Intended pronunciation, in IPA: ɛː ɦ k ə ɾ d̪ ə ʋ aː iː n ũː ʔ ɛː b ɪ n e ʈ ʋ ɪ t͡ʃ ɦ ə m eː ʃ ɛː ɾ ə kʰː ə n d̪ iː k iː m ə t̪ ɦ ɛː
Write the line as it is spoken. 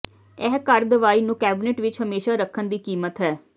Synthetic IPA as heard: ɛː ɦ k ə ɾ d̪ ə ʋ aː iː n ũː k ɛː b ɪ n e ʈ ʋ ɪ t͡ʃ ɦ ə m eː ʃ aː ɾ ə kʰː ə n d̪ iː k iː m ə t̪ ɦ ɛː